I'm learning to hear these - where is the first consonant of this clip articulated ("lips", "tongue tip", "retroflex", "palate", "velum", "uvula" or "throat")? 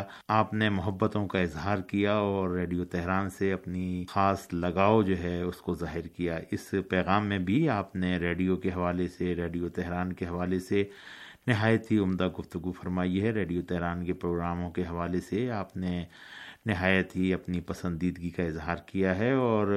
lips